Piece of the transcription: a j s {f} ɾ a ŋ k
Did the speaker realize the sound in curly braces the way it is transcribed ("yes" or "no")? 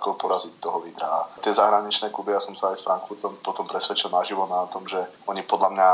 yes